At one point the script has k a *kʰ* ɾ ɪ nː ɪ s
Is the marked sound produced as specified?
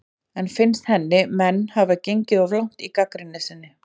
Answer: no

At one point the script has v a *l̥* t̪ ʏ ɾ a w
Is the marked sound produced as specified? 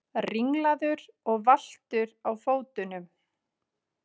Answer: yes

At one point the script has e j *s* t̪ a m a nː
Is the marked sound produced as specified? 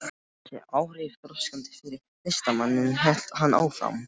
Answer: yes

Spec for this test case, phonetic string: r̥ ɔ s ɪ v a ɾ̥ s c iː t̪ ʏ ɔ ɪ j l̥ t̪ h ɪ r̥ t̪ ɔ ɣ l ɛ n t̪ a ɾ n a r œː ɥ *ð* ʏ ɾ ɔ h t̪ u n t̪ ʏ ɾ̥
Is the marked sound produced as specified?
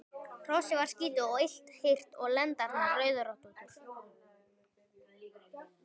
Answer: yes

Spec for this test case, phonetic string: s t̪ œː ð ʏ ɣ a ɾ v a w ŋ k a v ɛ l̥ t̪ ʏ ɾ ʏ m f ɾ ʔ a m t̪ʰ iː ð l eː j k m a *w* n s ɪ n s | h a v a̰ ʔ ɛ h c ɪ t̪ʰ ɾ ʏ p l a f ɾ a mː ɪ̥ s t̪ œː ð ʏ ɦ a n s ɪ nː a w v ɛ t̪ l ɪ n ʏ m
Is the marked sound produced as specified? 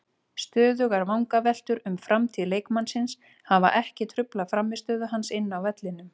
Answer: no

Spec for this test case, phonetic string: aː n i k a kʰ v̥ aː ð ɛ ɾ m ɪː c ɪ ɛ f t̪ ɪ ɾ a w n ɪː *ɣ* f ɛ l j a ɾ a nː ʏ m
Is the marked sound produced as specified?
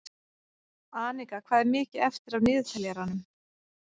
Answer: no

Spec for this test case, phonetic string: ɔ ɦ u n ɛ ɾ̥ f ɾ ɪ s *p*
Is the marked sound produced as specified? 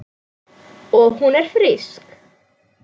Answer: no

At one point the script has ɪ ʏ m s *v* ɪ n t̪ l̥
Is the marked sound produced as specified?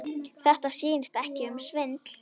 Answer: yes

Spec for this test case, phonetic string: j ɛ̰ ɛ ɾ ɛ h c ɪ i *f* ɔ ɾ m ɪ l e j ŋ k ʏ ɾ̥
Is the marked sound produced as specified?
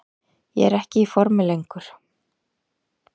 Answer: yes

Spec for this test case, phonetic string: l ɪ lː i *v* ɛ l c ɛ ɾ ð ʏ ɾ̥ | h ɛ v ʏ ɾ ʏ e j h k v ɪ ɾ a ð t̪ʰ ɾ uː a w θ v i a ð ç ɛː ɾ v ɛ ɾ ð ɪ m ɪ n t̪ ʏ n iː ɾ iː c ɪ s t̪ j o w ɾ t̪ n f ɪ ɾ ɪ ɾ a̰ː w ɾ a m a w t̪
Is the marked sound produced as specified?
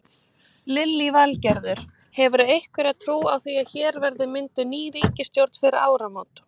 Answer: yes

